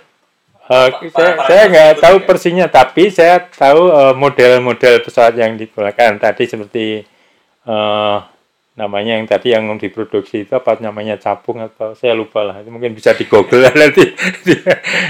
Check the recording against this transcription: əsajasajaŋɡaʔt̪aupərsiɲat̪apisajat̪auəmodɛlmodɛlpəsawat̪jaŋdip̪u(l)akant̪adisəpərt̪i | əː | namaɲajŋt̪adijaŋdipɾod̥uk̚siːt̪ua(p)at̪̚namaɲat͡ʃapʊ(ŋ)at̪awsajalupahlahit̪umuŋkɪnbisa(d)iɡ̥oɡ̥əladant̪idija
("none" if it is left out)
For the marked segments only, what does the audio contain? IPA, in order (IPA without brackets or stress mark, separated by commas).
l, p, ŋ, d